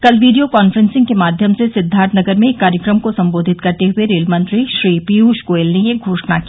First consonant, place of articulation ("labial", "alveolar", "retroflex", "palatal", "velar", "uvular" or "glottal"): velar